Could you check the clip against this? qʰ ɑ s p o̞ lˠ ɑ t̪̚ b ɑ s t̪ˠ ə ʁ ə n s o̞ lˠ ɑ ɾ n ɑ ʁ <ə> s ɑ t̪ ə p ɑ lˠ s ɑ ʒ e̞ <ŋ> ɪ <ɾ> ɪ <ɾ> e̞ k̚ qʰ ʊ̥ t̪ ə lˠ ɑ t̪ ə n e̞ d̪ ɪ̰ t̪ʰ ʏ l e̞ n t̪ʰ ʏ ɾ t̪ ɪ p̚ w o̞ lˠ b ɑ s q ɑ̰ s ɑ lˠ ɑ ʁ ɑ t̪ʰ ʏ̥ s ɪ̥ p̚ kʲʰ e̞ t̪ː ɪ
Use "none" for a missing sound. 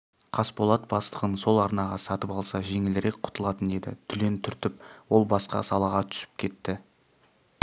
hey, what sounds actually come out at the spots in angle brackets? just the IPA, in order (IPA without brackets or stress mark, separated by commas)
ɑ, ŋ, l, ɾ